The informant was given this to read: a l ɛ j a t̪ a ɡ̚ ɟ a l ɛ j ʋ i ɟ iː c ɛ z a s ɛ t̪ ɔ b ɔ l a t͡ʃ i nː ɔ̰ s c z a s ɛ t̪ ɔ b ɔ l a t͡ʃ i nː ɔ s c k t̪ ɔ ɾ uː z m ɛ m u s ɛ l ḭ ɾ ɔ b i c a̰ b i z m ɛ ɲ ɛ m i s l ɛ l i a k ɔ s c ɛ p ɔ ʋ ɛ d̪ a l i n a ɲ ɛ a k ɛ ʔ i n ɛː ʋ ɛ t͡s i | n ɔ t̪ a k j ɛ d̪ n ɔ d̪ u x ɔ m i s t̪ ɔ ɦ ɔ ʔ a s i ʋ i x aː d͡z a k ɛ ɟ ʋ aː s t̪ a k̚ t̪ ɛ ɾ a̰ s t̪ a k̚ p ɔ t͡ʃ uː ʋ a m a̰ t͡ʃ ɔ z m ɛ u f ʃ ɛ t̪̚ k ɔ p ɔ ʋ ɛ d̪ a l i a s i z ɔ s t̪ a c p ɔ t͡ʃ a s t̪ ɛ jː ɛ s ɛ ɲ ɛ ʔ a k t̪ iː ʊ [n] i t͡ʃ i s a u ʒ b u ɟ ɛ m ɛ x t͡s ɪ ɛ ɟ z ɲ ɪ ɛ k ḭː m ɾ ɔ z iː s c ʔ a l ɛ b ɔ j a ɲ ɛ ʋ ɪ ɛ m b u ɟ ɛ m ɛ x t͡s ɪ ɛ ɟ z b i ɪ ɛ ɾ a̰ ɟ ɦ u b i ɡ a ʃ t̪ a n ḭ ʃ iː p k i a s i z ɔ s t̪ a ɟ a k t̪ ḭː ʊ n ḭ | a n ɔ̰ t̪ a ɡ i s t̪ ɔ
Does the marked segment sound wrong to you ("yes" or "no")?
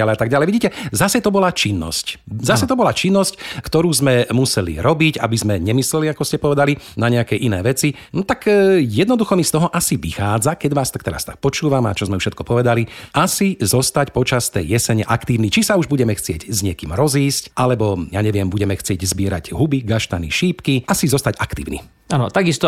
no